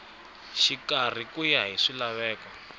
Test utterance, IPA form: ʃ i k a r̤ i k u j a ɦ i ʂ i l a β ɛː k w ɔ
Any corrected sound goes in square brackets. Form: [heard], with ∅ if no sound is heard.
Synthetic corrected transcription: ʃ i k a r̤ i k u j a ɦ i ʂ i l a β ɛː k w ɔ